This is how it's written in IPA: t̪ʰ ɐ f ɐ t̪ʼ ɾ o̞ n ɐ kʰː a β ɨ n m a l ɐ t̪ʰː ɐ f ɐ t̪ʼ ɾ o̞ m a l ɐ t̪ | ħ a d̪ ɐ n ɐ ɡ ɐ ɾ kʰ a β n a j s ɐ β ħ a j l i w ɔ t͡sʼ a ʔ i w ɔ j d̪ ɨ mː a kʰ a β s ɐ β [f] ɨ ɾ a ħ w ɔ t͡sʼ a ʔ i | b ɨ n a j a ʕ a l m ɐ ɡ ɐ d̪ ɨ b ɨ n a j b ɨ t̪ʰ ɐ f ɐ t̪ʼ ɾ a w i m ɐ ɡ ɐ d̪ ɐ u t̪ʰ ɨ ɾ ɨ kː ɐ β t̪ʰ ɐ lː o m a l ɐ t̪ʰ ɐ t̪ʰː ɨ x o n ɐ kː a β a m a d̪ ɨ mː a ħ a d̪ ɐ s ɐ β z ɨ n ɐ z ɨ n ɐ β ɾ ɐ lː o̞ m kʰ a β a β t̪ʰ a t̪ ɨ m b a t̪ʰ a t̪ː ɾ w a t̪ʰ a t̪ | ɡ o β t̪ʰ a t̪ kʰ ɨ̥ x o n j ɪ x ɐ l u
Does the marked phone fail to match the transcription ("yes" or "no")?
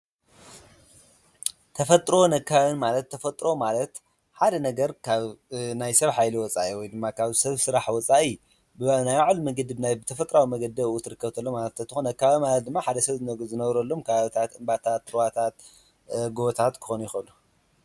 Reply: yes